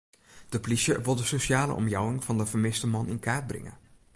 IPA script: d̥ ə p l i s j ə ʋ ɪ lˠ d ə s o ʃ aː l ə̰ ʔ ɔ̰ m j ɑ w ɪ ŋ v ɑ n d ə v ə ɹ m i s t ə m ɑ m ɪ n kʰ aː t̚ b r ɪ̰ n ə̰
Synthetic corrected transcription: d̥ ə p l i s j ə ʋ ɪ lˠ d ə s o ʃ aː l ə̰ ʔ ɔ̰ m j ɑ w ɪ ŋ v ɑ n d ə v ə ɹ m ɪ s t ə m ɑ n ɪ n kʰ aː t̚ b r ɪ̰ ŋ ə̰